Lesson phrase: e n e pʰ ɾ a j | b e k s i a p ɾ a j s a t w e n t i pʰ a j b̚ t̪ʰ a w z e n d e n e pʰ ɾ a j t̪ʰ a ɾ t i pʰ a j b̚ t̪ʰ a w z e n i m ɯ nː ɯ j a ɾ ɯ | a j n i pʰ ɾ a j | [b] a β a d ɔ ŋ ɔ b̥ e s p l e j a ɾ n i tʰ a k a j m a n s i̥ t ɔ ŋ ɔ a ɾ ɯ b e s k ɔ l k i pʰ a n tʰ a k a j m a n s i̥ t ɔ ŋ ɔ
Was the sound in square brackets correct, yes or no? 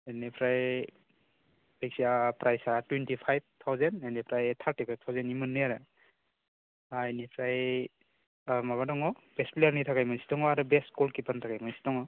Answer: no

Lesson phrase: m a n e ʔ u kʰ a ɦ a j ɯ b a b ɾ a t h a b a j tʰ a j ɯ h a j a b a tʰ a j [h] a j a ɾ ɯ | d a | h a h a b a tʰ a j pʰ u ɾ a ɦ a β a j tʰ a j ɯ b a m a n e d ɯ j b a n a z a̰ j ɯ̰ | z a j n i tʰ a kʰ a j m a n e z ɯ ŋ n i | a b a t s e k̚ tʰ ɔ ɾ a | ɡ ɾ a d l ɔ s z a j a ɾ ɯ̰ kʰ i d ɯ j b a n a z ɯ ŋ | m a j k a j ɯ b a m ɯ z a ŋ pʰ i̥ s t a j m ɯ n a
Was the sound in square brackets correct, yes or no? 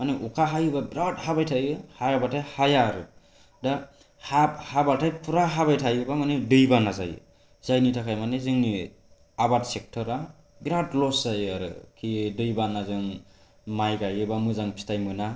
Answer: yes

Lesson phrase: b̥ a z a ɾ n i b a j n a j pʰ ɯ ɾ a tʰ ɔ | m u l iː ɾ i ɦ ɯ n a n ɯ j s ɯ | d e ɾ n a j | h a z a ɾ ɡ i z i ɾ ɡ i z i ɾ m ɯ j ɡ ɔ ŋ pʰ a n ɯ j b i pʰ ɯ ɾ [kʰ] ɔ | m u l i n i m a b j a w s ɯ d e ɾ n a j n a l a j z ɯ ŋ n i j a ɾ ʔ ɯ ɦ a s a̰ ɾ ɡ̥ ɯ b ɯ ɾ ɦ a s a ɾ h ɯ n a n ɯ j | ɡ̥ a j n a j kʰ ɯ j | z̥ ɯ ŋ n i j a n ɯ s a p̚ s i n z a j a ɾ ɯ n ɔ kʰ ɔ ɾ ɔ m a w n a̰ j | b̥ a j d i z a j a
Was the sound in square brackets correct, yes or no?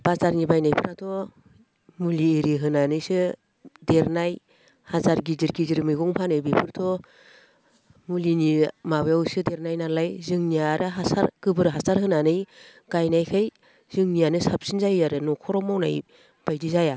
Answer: no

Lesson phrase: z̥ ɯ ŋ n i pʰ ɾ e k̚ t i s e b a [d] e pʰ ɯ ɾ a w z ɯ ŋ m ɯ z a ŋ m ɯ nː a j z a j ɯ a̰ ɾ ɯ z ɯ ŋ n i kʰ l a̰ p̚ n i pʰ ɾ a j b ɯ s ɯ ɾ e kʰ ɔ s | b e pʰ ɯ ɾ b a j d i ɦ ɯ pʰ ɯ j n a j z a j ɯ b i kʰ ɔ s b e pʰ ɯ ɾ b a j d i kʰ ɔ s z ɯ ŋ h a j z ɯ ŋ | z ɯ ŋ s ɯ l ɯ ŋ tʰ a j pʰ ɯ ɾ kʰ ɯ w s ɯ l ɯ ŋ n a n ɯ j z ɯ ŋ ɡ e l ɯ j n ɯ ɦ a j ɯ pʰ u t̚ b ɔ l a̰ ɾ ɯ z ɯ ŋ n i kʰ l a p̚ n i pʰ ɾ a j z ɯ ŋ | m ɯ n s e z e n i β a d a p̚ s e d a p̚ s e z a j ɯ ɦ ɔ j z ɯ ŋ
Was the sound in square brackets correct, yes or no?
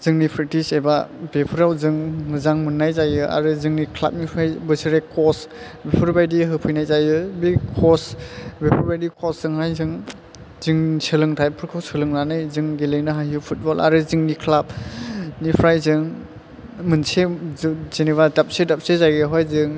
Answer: no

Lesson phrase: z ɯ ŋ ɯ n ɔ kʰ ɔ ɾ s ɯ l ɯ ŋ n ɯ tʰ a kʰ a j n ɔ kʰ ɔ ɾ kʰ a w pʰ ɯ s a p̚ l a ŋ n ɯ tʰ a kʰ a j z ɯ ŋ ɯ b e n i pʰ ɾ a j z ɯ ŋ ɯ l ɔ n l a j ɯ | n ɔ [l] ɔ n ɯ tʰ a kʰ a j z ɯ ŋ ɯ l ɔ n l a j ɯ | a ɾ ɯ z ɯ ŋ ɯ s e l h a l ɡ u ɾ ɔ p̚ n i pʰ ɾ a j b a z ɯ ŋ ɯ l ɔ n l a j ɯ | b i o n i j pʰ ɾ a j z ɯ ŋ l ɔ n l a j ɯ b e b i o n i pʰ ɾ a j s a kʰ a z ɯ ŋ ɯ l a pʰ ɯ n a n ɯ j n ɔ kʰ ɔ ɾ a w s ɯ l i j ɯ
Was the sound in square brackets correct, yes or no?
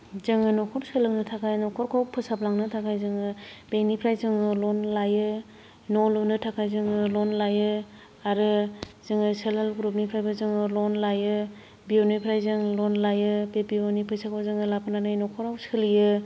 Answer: yes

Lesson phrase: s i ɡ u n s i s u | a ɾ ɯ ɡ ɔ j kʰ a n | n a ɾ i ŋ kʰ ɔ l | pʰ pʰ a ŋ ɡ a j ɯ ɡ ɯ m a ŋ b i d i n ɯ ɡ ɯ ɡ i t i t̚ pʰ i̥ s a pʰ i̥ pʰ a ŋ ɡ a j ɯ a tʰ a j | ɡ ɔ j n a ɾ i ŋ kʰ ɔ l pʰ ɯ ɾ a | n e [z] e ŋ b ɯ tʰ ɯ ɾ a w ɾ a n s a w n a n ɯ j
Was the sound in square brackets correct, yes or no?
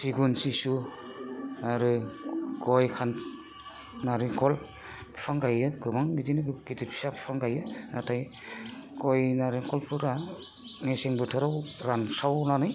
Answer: no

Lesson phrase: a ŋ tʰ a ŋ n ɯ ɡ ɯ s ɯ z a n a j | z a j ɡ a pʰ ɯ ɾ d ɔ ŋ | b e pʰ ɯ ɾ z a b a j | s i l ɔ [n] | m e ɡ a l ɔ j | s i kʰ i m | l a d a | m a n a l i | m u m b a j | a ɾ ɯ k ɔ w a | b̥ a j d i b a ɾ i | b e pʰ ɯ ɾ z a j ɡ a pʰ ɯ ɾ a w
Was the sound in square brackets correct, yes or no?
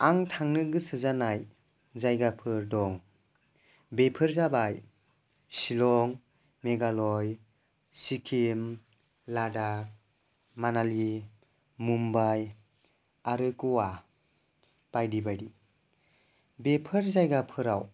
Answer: no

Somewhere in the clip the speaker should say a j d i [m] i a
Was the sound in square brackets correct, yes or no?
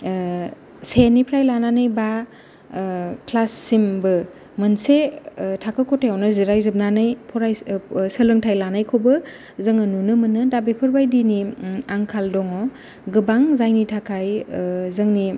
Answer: no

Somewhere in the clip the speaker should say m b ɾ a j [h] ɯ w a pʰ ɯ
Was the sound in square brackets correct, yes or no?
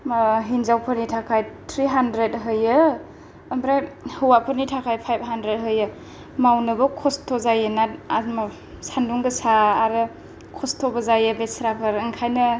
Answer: yes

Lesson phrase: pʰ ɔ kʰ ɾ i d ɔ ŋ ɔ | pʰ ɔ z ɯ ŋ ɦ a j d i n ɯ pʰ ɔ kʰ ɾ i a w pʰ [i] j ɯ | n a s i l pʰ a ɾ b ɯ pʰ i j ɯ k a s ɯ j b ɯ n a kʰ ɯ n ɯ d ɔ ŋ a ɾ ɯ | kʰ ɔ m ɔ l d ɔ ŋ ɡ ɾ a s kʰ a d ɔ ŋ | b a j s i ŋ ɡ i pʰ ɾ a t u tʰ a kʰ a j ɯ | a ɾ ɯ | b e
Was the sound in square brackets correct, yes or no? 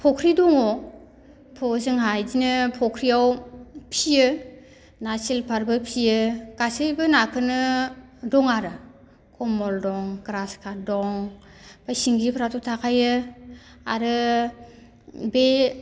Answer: yes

